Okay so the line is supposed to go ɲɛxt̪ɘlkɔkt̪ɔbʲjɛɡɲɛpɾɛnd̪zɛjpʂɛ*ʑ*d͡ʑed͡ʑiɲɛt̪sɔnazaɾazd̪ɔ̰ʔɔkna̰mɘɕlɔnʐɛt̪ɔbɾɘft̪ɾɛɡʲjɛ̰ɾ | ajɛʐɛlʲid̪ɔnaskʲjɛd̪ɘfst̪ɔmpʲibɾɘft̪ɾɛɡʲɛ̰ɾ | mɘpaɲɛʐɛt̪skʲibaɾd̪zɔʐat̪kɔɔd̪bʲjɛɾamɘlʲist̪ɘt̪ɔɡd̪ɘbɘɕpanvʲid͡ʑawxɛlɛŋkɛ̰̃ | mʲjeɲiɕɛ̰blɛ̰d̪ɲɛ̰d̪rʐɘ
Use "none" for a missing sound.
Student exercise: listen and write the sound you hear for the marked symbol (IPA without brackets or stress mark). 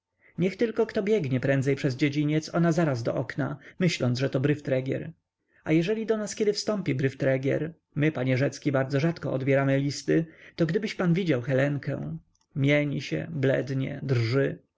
z